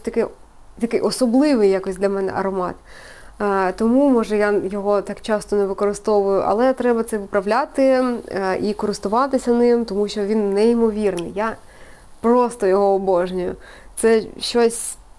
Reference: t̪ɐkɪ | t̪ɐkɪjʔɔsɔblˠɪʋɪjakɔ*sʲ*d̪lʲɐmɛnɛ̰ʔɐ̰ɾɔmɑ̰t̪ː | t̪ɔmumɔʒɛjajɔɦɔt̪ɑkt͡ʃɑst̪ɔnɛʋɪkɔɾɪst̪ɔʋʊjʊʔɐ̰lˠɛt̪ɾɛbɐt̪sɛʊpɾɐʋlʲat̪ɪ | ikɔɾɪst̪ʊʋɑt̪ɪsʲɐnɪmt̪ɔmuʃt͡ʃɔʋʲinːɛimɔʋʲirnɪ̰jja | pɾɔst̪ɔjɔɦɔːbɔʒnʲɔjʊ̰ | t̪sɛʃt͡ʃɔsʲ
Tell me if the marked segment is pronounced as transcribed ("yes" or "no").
yes